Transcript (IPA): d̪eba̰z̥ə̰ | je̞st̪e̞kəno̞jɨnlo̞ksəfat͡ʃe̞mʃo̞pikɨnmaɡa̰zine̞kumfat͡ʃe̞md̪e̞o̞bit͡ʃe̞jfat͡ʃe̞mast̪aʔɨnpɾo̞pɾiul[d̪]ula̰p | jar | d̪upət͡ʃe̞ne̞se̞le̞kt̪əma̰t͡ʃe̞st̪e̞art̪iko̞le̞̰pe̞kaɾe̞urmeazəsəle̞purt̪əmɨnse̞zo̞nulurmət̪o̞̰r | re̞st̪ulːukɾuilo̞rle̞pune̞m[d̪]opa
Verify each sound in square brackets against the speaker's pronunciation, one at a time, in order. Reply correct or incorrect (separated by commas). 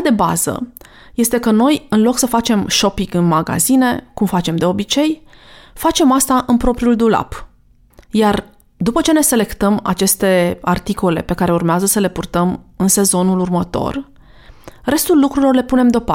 correct, correct